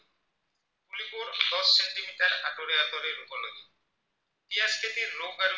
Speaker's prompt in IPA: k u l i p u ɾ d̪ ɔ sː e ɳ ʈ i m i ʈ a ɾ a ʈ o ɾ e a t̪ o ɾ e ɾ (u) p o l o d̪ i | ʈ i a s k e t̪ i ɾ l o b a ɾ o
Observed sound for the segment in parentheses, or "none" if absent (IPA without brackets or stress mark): u